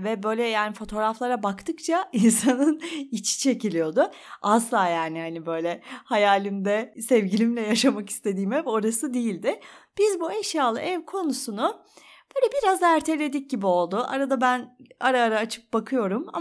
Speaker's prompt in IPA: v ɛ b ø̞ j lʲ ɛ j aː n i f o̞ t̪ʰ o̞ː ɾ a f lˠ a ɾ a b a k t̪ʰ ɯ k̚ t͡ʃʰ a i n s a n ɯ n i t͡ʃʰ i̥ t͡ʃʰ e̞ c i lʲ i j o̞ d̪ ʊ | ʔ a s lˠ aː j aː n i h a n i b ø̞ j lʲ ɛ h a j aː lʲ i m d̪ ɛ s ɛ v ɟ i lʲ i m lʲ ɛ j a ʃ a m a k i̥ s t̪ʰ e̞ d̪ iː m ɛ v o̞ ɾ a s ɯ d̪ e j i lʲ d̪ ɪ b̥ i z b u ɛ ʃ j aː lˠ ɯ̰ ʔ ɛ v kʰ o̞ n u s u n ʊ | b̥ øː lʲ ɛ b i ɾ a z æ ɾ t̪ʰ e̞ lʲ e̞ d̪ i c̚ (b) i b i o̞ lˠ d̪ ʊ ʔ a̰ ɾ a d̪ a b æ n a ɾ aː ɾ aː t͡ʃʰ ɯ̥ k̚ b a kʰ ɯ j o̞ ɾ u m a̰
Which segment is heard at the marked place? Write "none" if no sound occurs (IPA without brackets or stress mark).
ɟ